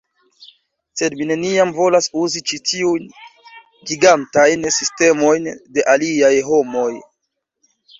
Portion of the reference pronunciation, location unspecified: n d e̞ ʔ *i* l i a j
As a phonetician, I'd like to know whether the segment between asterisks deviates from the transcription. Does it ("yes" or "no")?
yes